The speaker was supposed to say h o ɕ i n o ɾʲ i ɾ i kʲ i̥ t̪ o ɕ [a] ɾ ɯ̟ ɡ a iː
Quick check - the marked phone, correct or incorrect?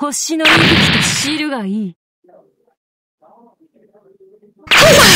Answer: incorrect